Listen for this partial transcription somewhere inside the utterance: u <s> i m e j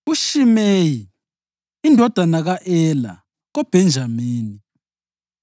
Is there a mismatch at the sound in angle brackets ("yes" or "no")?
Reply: yes